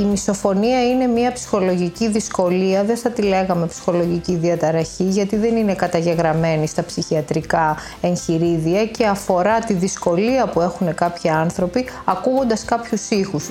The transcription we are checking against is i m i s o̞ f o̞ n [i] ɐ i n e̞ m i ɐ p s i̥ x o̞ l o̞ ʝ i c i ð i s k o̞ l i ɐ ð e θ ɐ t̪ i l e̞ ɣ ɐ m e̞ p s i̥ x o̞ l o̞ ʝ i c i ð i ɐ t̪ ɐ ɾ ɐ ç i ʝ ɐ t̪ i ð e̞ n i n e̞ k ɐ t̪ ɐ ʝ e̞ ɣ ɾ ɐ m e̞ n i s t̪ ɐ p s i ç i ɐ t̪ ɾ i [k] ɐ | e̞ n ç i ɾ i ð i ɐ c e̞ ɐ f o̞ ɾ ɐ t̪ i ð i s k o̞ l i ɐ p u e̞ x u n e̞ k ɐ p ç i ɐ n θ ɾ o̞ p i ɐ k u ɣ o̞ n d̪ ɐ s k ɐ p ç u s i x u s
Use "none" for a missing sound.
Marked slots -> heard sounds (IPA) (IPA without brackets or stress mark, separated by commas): i, k